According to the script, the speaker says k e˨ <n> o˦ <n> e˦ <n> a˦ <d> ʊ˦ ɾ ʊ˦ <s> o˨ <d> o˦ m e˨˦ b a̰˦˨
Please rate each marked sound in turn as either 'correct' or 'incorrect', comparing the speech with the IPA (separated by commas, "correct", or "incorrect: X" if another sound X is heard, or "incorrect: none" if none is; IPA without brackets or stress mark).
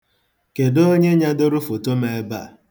incorrect: d, incorrect: ɲ, incorrect: ɲ, correct, incorrect: f, incorrect: t